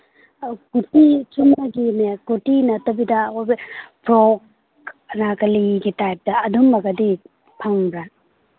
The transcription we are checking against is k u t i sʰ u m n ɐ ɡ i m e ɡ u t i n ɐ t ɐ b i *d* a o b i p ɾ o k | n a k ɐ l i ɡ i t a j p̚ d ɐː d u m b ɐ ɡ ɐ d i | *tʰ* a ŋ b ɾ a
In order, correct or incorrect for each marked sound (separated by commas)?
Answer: correct, incorrect